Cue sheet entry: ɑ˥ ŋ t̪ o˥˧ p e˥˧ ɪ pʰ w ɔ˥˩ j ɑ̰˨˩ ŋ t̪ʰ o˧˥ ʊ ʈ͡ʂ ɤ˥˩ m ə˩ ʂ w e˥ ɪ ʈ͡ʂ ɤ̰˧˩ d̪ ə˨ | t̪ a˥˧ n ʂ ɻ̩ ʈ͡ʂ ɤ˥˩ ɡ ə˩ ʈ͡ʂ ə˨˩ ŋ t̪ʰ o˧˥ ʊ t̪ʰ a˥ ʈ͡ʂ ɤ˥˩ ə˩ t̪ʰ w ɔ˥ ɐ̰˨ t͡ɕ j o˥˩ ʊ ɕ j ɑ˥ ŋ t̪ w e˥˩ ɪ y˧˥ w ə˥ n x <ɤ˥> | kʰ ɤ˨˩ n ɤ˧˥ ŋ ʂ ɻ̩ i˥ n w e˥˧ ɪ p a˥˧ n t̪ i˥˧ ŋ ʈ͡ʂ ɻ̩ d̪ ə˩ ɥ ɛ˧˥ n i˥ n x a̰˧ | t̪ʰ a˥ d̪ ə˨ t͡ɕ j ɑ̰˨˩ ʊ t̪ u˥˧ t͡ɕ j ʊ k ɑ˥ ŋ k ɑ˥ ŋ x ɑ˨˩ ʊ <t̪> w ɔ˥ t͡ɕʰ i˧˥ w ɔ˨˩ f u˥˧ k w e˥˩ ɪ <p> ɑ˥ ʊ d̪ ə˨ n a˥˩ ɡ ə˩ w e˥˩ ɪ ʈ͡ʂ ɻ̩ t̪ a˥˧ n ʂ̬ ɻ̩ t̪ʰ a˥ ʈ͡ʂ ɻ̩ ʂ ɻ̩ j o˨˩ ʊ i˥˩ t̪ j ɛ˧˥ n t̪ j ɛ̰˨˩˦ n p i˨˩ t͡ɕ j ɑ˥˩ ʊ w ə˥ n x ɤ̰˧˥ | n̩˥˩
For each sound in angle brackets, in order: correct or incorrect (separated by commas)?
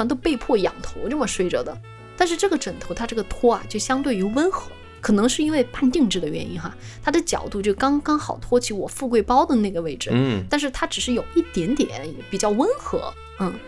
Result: incorrect, incorrect, correct